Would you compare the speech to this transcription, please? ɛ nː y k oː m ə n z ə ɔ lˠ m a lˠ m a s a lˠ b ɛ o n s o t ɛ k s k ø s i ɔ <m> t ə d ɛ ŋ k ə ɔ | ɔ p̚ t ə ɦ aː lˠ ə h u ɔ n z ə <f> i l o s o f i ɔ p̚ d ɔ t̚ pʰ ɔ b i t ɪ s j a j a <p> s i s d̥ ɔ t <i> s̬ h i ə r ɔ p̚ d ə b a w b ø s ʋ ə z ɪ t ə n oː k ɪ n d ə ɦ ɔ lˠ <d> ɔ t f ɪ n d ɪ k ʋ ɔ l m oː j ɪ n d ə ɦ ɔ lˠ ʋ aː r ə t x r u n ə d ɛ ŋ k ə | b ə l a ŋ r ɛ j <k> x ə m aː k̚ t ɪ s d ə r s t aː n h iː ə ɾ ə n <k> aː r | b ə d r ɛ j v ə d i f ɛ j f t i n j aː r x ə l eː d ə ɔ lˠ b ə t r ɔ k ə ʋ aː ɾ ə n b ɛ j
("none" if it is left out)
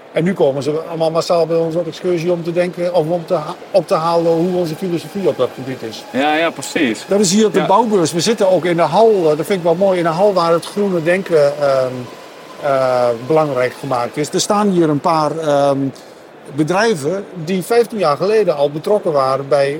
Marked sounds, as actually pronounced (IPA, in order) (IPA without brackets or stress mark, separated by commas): m, f, p, ɪ, d, k, p